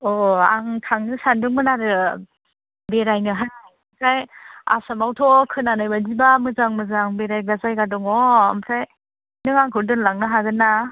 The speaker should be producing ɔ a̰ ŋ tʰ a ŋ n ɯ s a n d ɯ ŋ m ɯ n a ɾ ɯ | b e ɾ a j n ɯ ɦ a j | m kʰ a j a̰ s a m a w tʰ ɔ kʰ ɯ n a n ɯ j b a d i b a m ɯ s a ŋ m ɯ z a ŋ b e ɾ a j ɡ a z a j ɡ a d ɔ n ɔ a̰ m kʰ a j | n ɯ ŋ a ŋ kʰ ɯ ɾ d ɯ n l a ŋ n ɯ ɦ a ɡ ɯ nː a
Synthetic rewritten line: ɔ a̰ ŋ tʰ a ŋ n ɯ s a n d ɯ ŋ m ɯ n a ɾ ɯ | b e ɾ a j n ɯ ɦ a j | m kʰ a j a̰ s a m a w tʰ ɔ kʰ ɯ n a n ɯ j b a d i b a m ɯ z a ŋ m ɯ z a ŋ b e ɾ a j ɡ a z a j ɡ a d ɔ ŋ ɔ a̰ m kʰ a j | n ɯ ŋ a ŋ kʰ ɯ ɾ d ɯ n l a ŋ n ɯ ɦ a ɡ ɯ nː a